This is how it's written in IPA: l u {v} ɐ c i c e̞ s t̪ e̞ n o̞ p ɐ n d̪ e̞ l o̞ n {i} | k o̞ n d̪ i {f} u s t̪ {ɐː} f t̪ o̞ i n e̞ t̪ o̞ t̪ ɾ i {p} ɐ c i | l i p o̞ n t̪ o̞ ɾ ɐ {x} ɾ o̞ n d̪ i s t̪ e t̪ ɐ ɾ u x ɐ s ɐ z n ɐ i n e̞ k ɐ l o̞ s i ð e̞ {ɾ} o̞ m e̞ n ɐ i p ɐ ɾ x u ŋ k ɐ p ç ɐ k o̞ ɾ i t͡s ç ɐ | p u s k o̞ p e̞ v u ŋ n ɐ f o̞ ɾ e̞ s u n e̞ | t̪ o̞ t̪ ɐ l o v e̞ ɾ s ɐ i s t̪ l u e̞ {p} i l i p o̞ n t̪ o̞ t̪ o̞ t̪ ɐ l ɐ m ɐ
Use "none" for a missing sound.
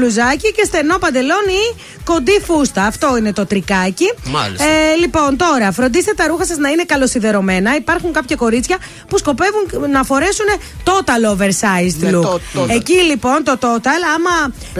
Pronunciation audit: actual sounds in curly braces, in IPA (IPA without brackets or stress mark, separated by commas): z, i, f, ɐː, k, f, ɾ, c